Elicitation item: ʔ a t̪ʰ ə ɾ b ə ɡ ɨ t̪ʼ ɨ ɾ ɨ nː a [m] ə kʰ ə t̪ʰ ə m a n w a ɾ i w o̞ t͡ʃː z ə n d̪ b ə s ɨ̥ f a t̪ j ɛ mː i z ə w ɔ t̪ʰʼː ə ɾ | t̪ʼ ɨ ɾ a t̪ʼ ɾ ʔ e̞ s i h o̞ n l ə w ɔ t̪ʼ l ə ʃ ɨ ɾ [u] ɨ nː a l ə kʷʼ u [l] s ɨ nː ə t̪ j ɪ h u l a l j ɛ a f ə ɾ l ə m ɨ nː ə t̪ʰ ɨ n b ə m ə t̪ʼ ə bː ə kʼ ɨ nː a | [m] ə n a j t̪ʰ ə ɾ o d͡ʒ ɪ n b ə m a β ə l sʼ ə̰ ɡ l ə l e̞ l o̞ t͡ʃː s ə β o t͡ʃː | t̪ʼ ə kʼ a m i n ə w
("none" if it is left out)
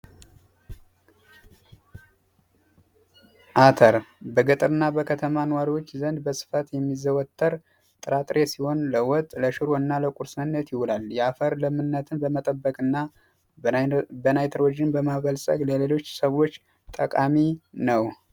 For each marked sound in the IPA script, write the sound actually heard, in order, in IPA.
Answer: b, o, ɾ, b

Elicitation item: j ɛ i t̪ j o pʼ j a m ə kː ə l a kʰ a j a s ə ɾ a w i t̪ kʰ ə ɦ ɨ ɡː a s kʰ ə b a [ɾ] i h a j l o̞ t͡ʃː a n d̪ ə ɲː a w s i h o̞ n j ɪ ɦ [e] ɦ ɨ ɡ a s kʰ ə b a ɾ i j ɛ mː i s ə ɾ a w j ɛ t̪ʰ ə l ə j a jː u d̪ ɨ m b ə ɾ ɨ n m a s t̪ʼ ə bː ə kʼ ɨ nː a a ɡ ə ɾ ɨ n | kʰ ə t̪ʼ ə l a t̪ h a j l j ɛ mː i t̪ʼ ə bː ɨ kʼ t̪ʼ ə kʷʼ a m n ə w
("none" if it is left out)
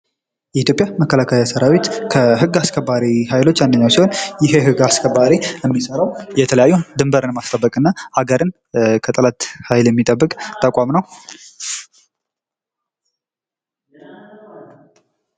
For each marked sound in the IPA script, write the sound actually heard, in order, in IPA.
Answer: ɾ, e

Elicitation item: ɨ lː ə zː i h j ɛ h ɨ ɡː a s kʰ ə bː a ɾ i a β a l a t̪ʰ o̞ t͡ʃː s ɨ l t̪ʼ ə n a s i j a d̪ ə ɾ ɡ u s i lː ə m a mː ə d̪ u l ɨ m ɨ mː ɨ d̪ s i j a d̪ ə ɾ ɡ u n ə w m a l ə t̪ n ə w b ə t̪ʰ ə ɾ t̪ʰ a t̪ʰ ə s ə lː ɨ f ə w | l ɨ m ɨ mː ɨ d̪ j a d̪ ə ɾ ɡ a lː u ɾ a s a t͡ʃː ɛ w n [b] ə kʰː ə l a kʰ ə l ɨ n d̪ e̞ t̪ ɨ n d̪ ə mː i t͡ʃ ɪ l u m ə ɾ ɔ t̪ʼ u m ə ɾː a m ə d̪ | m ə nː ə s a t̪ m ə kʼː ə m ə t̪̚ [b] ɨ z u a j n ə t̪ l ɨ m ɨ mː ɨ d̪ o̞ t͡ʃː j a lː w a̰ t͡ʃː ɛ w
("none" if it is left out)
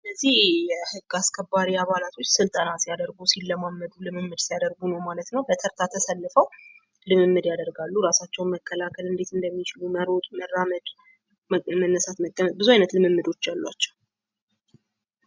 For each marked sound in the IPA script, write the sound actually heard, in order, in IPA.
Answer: m, b

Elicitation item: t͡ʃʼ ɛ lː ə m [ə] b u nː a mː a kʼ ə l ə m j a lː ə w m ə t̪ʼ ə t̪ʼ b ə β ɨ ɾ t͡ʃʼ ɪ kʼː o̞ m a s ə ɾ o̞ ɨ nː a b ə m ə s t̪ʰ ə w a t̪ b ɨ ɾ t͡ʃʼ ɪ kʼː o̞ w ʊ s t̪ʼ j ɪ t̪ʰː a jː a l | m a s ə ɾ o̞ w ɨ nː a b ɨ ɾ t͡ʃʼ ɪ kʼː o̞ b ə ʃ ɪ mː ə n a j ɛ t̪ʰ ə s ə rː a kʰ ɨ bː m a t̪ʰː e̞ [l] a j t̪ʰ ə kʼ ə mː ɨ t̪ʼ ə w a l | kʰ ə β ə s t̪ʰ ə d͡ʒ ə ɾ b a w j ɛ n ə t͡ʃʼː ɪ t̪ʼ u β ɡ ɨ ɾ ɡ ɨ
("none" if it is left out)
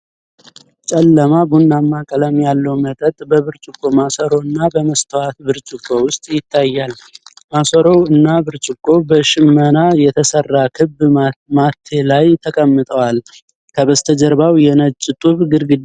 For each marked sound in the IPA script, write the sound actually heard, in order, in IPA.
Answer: a, l

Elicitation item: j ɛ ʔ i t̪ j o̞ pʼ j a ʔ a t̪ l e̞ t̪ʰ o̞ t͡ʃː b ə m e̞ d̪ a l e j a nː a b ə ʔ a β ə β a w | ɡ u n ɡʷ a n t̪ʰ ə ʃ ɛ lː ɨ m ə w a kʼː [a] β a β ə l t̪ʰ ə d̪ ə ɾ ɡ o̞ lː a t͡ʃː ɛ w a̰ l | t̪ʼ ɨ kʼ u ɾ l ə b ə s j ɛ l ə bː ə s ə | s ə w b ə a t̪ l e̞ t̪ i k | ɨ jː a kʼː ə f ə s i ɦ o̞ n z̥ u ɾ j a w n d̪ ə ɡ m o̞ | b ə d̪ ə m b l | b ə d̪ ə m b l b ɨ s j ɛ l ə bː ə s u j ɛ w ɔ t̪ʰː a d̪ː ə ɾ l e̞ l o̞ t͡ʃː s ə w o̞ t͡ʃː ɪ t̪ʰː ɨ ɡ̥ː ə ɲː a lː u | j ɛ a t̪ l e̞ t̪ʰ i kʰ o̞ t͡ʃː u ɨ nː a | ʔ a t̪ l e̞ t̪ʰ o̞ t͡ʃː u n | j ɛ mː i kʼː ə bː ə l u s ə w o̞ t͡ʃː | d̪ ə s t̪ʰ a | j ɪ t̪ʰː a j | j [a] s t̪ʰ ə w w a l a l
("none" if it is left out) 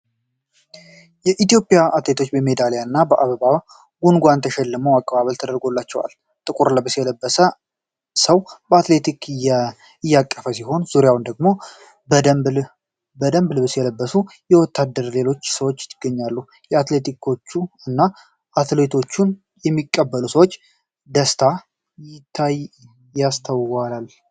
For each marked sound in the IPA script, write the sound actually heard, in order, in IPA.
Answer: ə, a

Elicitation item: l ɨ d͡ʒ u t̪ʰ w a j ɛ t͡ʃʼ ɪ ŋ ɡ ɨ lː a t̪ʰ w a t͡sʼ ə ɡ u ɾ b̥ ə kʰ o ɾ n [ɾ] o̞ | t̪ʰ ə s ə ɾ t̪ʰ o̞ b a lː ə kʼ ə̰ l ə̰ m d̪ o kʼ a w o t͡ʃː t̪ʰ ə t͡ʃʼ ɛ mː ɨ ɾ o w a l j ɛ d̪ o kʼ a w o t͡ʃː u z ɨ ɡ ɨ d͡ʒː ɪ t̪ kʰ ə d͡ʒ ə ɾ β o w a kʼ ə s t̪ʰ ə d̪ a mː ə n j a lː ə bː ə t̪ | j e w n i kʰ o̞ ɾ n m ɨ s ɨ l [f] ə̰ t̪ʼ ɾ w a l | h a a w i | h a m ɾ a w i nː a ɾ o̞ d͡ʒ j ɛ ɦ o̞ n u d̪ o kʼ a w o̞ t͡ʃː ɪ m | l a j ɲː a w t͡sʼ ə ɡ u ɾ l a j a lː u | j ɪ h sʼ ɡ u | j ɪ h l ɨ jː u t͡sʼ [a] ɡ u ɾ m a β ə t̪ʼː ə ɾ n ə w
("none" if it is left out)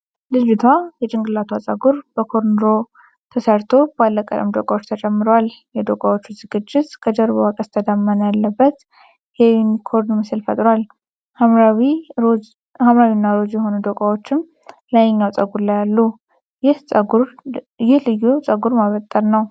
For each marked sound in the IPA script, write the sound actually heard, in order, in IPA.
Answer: ɾ, f, ə

